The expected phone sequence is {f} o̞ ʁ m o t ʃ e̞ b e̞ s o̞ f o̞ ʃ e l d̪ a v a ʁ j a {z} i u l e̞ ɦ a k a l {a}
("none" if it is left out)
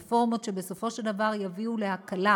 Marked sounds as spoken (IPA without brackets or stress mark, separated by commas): f, v, a